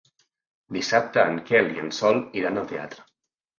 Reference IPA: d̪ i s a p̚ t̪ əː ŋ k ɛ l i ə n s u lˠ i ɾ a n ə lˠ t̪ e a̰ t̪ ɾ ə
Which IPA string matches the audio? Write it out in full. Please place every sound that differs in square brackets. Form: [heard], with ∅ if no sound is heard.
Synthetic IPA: d̪ i s a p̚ t̪ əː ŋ k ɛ l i ə n s [ɔ] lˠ i ɾ a n ə lˠ t̪ e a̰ t̪ ɾ ə